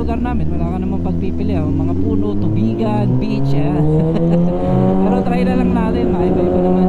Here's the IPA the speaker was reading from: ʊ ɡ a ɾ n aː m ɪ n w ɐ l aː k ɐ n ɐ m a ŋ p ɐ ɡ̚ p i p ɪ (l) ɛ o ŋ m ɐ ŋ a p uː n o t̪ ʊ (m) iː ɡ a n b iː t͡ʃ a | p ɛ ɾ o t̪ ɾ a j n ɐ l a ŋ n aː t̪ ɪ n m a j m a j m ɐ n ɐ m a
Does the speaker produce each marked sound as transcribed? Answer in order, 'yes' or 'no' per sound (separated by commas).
yes, no